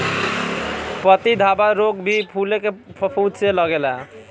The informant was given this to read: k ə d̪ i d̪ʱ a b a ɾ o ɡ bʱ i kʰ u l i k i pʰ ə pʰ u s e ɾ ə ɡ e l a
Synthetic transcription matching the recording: p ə t̪ i d̪ʱ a b a ɾ o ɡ bʱ i pʰ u l e k e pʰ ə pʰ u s e l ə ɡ e l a